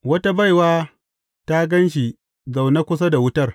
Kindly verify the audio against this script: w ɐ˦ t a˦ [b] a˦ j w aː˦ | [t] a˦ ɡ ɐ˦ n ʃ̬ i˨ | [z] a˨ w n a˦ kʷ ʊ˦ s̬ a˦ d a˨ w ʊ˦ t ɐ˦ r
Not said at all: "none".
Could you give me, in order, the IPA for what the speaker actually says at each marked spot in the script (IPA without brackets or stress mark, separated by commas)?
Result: b, t, z